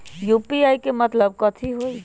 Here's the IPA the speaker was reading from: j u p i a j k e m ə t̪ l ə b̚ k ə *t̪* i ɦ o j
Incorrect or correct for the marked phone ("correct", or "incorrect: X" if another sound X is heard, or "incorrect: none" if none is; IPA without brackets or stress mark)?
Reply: incorrect: t̪ʰ